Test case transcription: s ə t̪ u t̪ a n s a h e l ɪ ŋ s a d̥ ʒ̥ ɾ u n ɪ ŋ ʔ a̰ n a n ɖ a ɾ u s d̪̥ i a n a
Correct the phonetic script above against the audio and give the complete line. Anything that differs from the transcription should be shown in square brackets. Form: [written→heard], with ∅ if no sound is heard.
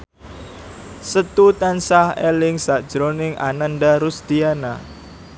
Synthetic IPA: s ə t̪ u t̪ a n s a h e l ɪ ŋ s a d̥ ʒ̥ ɾ [u→o] n ɪ ŋ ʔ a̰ n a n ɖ a ɾ u s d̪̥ i a n a